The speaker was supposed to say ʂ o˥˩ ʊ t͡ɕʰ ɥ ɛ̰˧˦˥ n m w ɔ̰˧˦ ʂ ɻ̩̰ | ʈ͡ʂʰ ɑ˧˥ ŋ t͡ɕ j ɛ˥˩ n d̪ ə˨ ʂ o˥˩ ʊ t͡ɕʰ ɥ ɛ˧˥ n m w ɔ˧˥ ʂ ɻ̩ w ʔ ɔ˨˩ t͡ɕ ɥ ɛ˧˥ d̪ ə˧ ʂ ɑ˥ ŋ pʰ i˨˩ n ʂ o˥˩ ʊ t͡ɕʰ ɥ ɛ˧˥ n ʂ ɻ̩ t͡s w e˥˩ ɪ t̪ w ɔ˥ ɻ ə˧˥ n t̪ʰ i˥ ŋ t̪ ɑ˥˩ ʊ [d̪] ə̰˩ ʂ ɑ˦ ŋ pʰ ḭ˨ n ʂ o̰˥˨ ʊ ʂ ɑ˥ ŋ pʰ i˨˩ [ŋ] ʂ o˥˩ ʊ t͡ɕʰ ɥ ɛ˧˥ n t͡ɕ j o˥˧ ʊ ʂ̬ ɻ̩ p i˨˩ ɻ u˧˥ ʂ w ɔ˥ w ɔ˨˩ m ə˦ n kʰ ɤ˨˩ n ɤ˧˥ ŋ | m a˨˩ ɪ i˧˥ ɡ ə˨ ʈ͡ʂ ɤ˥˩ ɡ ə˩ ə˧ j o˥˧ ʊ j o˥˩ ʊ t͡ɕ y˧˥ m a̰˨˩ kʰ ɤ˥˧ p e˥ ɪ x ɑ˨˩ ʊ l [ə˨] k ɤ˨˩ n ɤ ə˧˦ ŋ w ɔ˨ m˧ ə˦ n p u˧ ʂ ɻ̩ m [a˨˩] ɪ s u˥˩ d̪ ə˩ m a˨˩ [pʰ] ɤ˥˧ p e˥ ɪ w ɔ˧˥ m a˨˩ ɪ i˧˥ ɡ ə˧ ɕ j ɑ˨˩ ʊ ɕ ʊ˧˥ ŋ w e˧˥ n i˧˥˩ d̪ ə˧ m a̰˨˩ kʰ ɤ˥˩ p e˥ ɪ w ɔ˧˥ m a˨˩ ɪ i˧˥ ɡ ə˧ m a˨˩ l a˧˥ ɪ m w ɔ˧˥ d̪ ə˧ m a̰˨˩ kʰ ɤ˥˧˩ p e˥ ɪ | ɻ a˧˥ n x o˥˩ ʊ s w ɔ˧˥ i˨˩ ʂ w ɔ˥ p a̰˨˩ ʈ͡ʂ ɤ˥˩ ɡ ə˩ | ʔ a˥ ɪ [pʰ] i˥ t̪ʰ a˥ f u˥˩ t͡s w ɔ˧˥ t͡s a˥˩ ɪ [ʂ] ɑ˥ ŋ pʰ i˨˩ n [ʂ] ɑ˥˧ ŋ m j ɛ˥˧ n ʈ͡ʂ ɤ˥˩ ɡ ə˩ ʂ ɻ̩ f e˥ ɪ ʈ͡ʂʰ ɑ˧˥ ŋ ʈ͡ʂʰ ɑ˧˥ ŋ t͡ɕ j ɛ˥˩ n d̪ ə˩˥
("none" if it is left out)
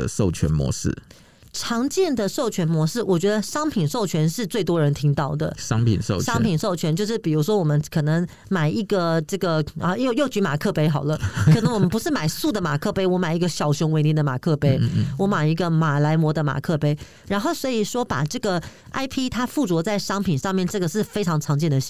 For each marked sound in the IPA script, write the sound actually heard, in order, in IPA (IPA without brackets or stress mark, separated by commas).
d̪, n, ə˦, a˨˩, kʰ, pʰ, ʂ, ʂ